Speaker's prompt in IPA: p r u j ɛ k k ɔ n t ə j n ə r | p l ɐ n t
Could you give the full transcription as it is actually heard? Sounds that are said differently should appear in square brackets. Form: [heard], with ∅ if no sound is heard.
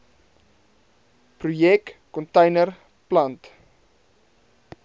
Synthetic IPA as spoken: p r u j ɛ k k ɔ n t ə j n ə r | p l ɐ n t